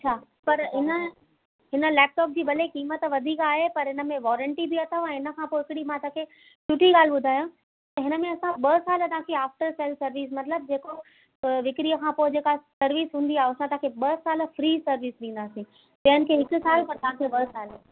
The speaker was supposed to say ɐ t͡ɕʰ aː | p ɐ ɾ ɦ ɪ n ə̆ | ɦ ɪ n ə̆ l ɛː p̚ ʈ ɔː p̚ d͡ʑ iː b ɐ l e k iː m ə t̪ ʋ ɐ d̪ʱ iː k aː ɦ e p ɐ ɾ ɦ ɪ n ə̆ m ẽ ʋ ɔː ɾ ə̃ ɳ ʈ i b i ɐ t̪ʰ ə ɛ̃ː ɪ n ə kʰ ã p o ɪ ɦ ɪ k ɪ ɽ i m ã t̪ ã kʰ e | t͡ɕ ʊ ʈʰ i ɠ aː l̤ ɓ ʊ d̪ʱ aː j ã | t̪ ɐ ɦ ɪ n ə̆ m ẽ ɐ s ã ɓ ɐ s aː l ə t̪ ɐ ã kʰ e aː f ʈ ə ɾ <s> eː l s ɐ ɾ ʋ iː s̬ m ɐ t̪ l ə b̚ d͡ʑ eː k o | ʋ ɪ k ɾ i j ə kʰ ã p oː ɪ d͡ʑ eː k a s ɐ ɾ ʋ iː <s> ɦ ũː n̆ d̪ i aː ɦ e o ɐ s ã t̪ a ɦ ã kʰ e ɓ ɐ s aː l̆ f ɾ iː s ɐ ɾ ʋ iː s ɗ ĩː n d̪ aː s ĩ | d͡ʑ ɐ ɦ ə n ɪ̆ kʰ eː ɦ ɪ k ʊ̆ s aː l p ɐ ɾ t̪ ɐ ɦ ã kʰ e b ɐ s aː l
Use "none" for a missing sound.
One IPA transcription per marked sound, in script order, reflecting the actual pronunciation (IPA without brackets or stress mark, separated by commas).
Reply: s, s